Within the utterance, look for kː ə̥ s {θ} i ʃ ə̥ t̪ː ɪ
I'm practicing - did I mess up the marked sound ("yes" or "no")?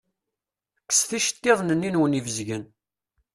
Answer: no